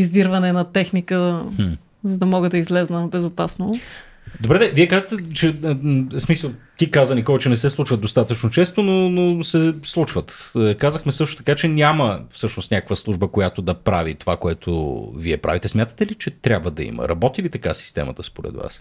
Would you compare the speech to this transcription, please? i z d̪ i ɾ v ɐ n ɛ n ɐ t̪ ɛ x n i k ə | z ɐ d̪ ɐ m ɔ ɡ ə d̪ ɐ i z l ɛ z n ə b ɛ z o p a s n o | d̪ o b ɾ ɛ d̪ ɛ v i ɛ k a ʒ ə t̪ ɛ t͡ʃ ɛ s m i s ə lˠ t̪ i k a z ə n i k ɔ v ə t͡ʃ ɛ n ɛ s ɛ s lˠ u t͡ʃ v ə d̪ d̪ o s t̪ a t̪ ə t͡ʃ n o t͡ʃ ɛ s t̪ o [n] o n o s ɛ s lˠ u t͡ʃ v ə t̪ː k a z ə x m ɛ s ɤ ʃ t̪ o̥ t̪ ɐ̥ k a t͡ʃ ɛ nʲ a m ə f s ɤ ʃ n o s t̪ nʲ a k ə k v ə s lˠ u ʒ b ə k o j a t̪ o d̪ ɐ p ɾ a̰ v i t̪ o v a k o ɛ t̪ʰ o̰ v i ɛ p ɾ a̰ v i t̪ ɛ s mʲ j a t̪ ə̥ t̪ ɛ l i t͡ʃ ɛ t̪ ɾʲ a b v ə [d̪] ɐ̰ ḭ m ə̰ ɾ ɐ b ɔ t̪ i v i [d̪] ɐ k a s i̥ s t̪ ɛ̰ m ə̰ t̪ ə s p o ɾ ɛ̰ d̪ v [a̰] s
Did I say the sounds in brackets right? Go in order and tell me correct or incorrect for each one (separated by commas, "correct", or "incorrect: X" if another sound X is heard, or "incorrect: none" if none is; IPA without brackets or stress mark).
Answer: correct, correct, incorrect: t̪, correct